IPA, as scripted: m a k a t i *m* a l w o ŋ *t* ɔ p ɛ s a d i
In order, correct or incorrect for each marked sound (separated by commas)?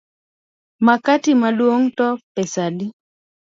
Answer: correct, correct